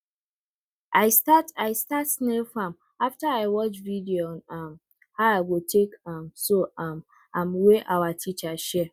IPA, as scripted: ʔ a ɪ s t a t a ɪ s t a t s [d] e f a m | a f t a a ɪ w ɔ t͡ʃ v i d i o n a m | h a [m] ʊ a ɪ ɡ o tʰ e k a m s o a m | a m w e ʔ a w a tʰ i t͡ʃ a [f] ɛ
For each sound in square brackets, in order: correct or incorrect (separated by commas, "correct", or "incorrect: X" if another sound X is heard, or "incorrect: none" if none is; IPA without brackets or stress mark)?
incorrect: n, incorrect: none, incorrect: ʃ